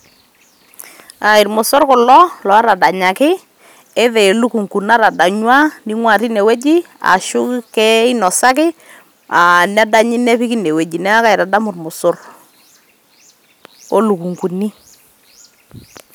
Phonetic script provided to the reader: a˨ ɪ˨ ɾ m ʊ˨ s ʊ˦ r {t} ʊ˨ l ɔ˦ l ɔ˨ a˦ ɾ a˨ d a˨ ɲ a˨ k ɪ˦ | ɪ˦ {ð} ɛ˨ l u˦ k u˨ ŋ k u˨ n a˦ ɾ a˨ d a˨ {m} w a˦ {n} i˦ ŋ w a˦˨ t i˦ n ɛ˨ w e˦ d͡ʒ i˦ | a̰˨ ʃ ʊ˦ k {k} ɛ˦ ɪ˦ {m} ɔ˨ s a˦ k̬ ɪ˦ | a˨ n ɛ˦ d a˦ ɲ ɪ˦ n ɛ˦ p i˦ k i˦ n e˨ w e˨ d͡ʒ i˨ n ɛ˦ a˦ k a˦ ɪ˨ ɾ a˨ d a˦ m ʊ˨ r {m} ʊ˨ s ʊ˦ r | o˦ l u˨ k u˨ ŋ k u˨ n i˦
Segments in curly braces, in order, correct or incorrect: incorrect: k, correct, incorrect: ɲ, correct, correct, incorrect: n, correct

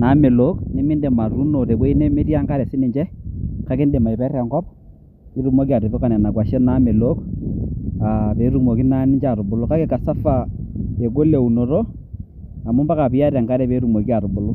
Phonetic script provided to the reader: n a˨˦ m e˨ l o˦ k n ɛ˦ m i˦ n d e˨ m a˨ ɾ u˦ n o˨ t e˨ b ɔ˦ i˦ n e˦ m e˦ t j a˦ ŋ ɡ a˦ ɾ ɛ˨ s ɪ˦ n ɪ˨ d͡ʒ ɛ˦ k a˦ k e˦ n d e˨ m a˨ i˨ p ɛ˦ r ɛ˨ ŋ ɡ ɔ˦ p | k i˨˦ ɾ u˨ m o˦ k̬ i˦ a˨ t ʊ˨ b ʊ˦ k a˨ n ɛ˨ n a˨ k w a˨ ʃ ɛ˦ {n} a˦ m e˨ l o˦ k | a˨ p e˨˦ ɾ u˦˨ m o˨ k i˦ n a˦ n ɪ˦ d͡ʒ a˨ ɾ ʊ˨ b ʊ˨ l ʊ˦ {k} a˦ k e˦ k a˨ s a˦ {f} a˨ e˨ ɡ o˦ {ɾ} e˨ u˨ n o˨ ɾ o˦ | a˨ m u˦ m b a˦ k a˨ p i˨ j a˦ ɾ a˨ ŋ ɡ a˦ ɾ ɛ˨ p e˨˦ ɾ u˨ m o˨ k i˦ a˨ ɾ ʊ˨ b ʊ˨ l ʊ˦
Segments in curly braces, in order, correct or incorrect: correct, correct, correct, incorrect: l

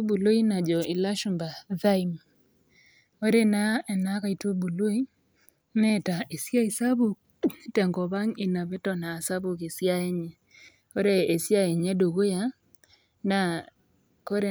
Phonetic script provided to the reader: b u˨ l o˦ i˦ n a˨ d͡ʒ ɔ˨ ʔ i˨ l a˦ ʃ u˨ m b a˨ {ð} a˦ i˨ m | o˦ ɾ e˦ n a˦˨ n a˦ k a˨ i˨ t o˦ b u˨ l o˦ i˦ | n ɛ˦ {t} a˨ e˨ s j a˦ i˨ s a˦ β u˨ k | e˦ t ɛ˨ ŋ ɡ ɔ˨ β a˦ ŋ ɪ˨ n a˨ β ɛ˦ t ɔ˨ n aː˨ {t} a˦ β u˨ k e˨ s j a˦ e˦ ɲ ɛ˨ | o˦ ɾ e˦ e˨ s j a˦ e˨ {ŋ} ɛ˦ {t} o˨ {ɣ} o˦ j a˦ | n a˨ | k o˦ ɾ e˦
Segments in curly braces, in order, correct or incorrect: correct, correct, incorrect: s, incorrect: ɲ, incorrect: d, correct

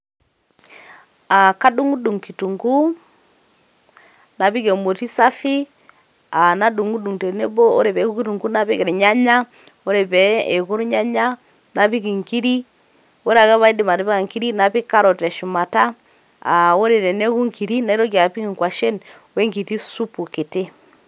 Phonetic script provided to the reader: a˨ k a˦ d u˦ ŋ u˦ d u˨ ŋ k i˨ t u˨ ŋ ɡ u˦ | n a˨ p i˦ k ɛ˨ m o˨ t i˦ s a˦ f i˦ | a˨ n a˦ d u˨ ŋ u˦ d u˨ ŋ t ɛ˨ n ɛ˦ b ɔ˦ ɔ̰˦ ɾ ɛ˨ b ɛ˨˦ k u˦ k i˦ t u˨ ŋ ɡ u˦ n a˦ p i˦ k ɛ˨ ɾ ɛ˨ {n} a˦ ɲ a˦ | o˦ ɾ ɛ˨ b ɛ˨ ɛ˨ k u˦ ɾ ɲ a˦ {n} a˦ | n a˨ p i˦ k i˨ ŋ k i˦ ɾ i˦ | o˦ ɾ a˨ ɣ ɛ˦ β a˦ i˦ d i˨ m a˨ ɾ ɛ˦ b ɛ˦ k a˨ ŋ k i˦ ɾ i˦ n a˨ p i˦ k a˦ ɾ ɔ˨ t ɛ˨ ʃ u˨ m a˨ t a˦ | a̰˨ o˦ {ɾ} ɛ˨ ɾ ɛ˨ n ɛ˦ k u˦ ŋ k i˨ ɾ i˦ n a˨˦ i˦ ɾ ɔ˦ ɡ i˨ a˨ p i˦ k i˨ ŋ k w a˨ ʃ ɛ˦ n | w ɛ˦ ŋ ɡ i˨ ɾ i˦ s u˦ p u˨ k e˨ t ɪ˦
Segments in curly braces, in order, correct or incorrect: incorrect: ɲ, incorrect: ɲ, correct

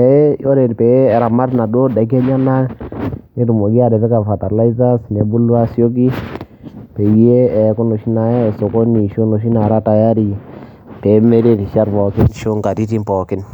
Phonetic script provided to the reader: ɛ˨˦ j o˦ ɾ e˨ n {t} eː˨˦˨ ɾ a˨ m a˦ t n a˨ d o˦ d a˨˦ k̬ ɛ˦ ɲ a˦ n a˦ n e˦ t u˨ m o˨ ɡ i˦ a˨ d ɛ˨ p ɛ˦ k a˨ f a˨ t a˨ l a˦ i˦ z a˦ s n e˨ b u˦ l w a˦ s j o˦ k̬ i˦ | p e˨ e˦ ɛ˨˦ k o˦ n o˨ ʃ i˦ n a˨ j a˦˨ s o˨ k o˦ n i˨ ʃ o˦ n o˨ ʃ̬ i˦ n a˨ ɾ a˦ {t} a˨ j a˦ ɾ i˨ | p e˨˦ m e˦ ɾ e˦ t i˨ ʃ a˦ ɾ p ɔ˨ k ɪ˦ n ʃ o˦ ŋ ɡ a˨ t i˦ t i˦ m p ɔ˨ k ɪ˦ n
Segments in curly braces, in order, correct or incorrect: incorrect: p, correct

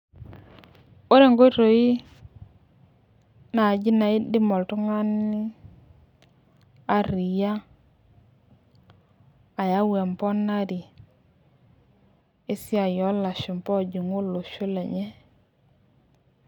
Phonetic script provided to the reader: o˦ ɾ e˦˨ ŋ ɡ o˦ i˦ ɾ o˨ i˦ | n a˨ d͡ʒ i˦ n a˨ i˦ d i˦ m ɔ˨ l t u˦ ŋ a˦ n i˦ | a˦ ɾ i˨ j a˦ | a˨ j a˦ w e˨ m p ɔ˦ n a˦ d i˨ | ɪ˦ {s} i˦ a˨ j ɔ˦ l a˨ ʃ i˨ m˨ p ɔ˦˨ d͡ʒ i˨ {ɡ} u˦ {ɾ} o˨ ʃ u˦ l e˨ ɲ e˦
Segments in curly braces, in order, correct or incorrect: correct, incorrect: ŋ, incorrect: l

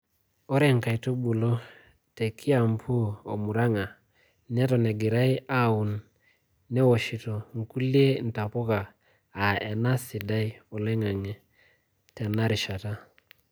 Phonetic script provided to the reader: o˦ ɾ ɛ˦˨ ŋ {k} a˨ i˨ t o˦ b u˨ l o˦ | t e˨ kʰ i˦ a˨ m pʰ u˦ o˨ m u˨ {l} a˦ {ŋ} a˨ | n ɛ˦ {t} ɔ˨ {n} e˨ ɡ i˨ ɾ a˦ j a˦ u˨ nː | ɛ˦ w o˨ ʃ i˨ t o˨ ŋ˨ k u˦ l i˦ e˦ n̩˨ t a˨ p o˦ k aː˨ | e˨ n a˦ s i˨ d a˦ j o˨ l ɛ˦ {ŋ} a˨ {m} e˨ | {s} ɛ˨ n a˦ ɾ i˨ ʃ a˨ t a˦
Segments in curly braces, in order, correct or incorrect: correct, incorrect: ɾ, correct, correct, correct, correct, incorrect: ŋ, incorrect: t

